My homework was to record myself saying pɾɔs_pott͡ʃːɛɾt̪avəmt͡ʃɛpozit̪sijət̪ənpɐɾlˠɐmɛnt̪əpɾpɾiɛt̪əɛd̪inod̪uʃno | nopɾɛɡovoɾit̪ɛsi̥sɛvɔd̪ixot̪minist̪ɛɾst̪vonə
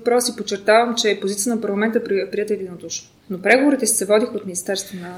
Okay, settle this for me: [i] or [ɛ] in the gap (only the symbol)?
i